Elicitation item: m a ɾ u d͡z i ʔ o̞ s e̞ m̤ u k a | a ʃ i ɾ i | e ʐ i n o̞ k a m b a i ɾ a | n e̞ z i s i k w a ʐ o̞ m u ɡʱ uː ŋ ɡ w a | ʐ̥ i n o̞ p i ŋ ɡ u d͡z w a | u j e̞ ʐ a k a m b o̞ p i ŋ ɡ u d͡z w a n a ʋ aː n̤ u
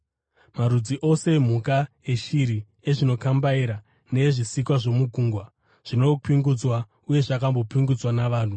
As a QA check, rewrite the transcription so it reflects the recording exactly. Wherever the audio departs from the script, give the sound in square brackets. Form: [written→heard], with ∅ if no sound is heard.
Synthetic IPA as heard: m a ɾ u d͡z i ʔ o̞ s e̞ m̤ u k a | [a→e] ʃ i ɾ i | e ʐ i n o̞ k a m b a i ɾ a | n e̞ [z→ʐ] i s i k w a ʐ o̞ m u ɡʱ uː ŋ ɡ w a | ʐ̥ i n o̞ p i ŋ ɡ u d͡z w a | u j e̞ ʐ a k a m b o̞ p i ŋ ɡ u d͡z w a n a ʋ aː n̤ u